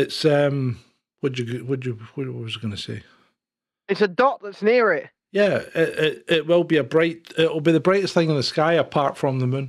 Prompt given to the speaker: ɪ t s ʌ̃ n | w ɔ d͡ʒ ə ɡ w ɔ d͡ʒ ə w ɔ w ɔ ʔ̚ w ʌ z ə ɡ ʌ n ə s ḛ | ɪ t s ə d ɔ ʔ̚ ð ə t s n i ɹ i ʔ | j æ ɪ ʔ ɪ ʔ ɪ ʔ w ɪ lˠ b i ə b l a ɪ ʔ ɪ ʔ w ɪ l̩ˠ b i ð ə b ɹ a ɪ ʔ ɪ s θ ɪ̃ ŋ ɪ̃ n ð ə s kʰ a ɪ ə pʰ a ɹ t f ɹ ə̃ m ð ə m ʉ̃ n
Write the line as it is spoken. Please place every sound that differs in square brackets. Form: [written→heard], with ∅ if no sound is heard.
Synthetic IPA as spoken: ɪ t s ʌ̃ [n→m] | w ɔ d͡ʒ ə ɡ w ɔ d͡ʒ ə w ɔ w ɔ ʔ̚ w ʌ z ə ɡ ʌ n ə s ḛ | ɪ t s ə d ɔ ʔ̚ ð ə t s n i ɹ [i→ɪ] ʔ | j æ ɪ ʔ ɪ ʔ ɪ ʔ w ɪ lˠ b i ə b [l→ɹ] a ɪ ʔ ɪ ʔ w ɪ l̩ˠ b i ð ə b ɹ a ɪ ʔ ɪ s θ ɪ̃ ŋ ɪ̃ n ð ə s [kʰ→k] a ɪ ə pʰ a ɹ t f ɹ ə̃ m ð ə m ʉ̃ n